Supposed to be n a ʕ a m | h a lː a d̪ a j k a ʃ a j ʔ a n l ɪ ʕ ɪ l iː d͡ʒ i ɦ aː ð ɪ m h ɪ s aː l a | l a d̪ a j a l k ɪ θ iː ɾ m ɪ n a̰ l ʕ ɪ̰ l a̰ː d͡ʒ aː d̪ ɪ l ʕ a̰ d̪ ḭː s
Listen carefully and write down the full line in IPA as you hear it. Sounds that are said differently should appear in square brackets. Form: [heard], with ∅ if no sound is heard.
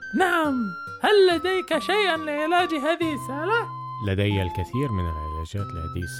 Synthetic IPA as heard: n a ʕ a m | h a lː a d̪ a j k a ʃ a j ʔ a n l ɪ ʕ ɪ l [aː] d͡ʒ i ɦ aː ð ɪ [∅] h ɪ s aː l a | l a d̪ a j a l k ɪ θ iː ɾ m ɪ n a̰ l ʕ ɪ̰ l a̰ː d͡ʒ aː [t̪] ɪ l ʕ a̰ d̪ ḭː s